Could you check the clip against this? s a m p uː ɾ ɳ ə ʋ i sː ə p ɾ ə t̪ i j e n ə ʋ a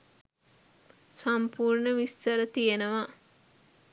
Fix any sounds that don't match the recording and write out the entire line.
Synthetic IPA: s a m p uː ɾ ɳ ə ʋ i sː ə ɾ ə t̪ i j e n ə ʋ a